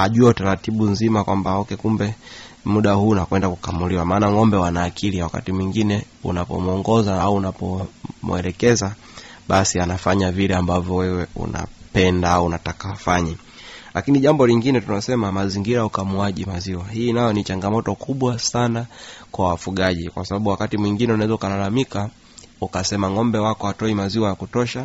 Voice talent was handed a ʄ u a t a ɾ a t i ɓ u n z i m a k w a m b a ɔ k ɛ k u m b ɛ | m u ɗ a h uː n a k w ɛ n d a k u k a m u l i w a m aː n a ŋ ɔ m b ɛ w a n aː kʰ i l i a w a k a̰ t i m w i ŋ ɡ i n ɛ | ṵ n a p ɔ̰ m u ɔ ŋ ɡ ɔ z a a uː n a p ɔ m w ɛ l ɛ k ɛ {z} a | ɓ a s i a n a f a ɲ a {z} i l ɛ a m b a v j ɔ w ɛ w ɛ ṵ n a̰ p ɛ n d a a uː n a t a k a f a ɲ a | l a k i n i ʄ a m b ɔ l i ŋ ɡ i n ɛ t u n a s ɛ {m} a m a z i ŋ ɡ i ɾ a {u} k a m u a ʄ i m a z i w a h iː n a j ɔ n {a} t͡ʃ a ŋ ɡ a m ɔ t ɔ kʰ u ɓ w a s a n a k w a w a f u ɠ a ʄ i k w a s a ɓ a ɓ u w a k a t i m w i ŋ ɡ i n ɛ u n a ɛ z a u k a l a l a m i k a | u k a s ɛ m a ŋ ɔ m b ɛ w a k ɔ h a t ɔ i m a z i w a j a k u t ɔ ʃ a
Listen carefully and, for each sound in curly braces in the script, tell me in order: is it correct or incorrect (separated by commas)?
correct, incorrect, correct, correct, incorrect